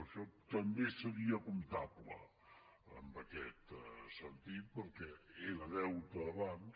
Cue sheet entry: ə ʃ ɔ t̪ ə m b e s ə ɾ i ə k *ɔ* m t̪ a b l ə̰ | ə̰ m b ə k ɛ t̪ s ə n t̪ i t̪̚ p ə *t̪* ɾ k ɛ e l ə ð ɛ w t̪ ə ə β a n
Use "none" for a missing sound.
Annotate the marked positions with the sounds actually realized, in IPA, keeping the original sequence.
u, none

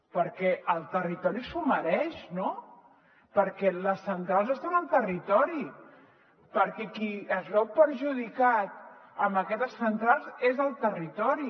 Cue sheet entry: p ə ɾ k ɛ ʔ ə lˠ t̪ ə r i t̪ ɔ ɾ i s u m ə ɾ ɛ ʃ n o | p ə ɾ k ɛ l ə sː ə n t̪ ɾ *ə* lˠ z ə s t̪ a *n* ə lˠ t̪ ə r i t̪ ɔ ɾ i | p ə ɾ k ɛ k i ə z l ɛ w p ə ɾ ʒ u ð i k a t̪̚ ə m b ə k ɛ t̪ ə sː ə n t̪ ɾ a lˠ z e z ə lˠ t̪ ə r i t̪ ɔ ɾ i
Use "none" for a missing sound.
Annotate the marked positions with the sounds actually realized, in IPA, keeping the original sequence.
a, n

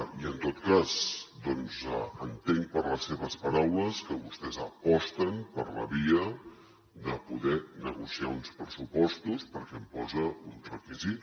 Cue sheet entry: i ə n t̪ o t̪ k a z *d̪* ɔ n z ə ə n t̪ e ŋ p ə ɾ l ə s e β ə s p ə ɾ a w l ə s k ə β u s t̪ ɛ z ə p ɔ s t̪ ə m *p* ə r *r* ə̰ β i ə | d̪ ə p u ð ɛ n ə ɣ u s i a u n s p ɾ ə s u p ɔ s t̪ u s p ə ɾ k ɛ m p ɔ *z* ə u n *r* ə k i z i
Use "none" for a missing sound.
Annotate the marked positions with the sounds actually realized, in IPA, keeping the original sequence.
d̪, p, l, z, r

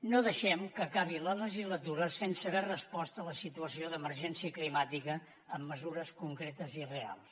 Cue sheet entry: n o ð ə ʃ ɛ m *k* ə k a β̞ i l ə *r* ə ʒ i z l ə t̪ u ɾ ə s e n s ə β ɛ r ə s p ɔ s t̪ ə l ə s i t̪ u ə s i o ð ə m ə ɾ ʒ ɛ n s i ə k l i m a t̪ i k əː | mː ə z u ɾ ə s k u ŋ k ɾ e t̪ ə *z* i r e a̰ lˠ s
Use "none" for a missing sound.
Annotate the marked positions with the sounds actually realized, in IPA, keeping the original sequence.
k, l, z

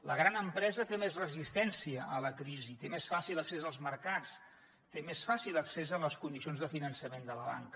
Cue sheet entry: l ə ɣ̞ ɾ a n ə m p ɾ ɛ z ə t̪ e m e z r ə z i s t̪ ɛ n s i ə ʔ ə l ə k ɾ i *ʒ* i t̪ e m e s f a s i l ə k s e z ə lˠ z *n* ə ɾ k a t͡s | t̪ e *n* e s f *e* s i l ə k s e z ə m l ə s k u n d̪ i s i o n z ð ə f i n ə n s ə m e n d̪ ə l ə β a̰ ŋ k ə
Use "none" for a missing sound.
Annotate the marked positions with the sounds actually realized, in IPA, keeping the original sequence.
z, m, m, a

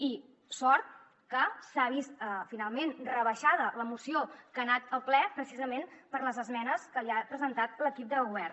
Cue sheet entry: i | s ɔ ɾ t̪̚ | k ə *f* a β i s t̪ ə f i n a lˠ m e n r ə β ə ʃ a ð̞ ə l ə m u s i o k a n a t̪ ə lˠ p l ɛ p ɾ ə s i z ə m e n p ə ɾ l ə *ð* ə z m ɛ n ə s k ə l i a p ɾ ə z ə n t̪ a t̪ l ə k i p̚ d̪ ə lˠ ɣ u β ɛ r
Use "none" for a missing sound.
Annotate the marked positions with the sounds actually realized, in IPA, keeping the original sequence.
s, z

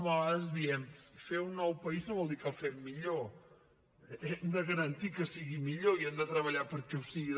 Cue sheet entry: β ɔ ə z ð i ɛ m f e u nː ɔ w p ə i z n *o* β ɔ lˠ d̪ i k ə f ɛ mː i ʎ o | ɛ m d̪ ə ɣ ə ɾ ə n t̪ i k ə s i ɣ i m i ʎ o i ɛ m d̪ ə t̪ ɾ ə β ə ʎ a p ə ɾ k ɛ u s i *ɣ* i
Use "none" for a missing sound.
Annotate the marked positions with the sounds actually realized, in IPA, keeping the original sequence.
o, ɣ

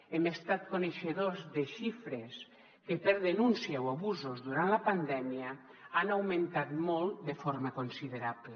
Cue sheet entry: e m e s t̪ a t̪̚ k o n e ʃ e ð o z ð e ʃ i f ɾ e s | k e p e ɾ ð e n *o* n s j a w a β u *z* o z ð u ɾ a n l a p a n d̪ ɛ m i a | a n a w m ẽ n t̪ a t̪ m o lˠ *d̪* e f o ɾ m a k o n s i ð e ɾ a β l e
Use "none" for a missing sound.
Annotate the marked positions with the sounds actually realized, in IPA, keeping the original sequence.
u, z, d̪

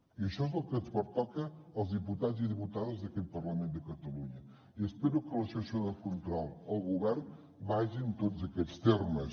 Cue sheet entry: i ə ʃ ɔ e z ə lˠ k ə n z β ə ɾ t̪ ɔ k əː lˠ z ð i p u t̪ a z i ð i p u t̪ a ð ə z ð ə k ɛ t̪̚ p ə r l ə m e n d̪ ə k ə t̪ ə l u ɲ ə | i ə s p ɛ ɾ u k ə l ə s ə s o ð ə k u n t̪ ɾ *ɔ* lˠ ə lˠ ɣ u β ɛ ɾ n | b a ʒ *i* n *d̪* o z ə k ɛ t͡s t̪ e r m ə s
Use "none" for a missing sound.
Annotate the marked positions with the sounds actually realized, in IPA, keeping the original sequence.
ɔ, i, t̪

